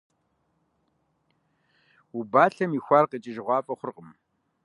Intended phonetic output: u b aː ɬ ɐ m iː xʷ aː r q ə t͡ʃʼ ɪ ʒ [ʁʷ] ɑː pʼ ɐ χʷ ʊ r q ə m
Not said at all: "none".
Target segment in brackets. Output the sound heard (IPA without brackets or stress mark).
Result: ʁʷ